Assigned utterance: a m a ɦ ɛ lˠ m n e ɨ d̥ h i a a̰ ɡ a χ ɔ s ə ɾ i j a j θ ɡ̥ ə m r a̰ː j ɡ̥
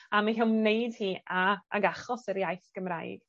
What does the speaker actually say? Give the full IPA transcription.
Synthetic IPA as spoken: a m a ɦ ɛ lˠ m n e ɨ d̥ h iː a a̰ ɡ a χ ɔ s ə ɾ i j a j θ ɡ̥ ə m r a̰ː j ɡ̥